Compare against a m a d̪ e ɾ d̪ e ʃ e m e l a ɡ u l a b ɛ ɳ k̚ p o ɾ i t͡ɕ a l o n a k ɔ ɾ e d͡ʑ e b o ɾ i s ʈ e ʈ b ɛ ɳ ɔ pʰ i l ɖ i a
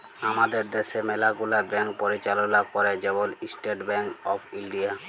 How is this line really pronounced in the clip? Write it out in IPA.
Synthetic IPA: a m a d̪ e ɾ d̪ e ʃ e m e l a ɡ u l a b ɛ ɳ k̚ p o ɾ i t͡ɕ a l o n a k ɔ ɾ e d͡ʑ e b o l i s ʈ e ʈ b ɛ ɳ ɔ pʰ i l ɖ i a